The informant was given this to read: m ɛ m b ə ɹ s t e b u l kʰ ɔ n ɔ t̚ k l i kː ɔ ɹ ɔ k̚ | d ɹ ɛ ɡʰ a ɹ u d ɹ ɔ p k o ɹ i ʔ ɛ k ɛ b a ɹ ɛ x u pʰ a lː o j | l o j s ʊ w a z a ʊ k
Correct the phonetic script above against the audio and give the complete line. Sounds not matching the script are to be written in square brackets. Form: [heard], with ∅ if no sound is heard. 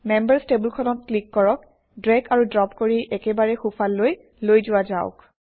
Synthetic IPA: m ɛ m b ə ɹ s t e b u l kʰ ɔ n ɔ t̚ k l i kː ɔ ɹ ɔ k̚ | d ɹ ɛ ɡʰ a ɹ u d ɹ ɔ p k o ɹ i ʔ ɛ k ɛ b a ɹ ɛ x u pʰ a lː o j | l o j [z] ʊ w a z a ʊ k